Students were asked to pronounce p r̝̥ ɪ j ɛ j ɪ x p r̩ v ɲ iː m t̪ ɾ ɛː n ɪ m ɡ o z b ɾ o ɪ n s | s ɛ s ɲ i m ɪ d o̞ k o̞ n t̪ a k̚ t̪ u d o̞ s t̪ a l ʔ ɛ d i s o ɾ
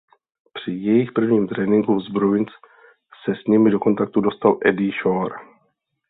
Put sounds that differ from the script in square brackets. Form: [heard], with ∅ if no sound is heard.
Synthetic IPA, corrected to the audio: p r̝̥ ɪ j ɛ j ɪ x p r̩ v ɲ iː m t̪ ɾ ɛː n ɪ [ŋ] ɡ [u] z b ɾ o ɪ n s | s ɛ s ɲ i m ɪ d o̞ k o̞ n t̪ a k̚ t̪ u d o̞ s t̪ a l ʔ ɛ d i [ʃ] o ɾ